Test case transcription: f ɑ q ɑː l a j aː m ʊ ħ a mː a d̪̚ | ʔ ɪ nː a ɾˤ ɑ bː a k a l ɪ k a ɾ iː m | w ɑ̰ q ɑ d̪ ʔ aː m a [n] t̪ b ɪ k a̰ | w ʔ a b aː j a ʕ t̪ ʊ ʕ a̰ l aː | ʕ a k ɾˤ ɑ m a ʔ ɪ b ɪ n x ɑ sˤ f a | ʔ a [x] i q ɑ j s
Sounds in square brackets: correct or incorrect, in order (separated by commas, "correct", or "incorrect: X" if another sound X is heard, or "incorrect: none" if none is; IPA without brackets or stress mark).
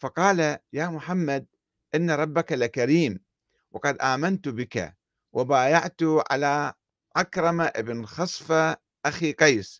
correct, correct